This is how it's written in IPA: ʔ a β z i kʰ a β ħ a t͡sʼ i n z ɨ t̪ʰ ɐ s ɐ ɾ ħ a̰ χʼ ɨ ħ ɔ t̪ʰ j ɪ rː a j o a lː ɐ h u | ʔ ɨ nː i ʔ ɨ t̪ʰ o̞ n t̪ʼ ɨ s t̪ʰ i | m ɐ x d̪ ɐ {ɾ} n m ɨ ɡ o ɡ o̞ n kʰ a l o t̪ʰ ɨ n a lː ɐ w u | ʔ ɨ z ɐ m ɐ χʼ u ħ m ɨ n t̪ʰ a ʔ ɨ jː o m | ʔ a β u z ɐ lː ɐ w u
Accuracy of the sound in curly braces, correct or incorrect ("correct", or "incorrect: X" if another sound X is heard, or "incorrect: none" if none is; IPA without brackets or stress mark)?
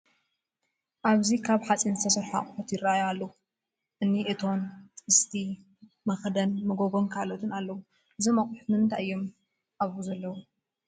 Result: incorrect: none